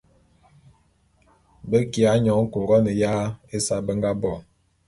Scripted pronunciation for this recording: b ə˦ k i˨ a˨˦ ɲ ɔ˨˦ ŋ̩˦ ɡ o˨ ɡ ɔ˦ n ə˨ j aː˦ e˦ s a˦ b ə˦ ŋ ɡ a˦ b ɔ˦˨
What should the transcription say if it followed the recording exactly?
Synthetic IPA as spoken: b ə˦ k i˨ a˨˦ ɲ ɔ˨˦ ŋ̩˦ k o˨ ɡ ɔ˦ n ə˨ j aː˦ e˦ s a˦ b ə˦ ŋ ɡ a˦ b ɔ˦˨